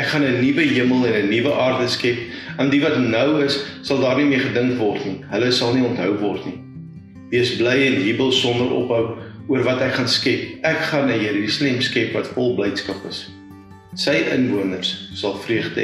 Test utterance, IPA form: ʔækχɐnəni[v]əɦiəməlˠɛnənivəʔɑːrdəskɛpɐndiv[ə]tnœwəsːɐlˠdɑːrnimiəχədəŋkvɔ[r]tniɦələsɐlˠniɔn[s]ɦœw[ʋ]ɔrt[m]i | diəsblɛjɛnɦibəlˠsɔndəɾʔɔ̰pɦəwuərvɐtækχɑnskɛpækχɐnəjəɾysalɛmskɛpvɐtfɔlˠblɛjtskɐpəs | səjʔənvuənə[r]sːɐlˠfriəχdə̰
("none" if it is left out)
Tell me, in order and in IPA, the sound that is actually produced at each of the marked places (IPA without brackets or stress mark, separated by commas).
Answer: v, ɐ, r, t, v, n, r